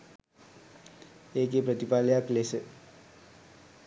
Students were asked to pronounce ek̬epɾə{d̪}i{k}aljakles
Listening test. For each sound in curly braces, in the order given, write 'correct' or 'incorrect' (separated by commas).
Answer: incorrect, incorrect